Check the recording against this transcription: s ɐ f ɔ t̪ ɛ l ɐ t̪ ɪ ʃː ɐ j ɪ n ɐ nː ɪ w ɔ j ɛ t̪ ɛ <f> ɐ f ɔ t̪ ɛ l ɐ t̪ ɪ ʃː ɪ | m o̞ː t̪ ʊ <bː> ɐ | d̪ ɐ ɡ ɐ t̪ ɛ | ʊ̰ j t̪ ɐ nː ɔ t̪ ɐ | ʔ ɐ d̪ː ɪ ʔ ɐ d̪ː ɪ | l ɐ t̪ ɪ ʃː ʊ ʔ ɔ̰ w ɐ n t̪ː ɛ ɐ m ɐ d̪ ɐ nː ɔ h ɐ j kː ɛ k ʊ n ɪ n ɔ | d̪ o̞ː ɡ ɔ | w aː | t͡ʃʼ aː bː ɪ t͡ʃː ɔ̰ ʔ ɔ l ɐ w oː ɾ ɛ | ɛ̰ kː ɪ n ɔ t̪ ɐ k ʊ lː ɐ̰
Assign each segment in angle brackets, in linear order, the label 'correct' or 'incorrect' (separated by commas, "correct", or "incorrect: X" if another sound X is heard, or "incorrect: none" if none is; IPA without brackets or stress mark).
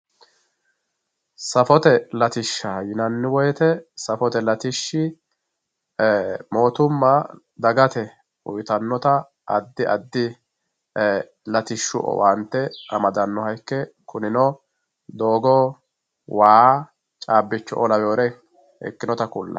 incorrect: s, incorrect: mː